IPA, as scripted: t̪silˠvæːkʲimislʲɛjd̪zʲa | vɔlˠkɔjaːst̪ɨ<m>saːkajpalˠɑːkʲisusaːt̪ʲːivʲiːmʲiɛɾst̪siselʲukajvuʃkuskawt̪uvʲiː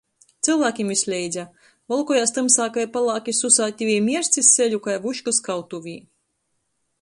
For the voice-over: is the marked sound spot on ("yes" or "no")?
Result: yes